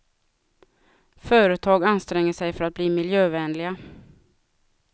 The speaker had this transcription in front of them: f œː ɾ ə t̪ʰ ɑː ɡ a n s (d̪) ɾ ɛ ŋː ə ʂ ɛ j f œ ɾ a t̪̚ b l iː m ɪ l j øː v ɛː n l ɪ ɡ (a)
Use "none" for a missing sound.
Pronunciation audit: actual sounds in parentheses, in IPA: t̪, a

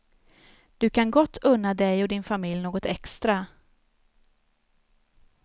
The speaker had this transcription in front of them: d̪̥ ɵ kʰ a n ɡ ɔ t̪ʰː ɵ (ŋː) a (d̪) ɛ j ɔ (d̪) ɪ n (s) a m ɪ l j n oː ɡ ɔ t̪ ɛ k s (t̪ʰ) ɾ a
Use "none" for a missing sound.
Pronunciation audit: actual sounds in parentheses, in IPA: nː, d̪, d̪, f, t̪

